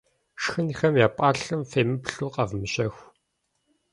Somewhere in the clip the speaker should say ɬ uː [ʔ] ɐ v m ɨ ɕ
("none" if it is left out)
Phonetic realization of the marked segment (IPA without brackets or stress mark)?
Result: q